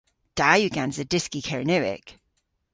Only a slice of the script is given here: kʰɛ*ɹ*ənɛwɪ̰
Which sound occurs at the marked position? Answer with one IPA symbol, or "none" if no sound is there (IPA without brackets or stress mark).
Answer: ɹ